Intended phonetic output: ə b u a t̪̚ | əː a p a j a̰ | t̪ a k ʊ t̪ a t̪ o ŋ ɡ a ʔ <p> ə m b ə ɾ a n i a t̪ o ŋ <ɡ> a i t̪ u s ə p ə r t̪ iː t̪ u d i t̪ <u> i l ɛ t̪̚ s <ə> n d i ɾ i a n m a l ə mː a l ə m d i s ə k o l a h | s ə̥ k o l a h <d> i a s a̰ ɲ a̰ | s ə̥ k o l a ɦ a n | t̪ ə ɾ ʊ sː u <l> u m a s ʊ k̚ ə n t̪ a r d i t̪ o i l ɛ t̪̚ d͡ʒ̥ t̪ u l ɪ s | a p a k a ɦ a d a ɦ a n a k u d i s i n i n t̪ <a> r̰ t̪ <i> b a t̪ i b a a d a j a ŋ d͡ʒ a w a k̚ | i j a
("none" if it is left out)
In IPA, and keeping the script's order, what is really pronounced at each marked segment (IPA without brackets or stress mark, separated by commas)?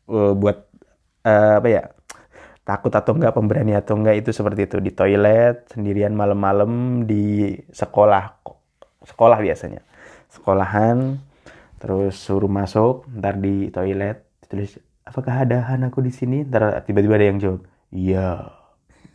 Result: p, ɡ, o, ə, b, ɾ, a, i